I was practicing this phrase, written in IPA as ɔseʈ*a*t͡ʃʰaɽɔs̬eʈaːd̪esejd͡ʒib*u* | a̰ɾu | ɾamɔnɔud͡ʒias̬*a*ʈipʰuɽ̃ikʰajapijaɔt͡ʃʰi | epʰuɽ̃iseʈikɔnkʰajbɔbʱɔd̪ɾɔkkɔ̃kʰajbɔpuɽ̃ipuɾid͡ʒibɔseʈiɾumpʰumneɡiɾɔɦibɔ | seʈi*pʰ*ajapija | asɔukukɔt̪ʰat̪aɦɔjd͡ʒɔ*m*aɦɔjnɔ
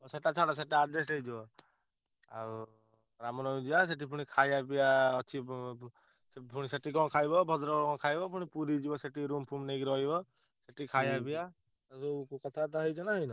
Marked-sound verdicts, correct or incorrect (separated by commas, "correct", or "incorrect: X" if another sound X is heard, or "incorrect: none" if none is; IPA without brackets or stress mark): correct, incorrect: ɔ, incorrect: e, incorrect: kʰ, incorrect: n